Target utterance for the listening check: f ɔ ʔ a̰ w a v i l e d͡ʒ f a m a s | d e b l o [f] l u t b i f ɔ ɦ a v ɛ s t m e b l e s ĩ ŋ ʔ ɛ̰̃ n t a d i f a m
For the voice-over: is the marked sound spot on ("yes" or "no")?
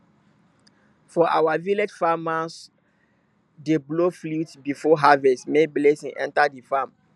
yes